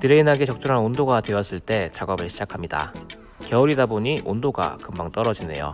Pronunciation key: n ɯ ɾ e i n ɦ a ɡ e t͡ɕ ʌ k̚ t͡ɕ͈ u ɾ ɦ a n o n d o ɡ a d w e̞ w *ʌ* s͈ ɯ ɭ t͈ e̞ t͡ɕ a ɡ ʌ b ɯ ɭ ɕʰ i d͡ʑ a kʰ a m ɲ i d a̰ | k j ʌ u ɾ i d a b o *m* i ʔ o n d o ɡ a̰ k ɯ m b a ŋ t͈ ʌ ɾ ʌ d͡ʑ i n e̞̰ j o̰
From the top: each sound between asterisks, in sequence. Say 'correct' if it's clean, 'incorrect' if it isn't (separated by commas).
correct, incorrect